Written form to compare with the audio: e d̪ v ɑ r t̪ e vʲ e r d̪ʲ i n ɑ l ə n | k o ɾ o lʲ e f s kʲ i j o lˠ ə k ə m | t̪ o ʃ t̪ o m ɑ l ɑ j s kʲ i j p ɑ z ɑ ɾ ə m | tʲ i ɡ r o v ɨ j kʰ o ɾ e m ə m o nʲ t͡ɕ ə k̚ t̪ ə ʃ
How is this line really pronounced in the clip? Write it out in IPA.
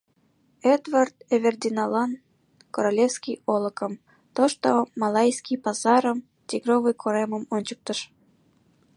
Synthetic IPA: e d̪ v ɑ r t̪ e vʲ e r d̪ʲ i n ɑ l ɑ n | k o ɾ o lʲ e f s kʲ i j o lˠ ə k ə m | t̪ o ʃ t̪ o m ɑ l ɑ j s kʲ i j p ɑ z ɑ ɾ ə m | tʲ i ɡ r o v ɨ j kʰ o ɾ e m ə m o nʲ t͡ɕ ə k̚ t̪ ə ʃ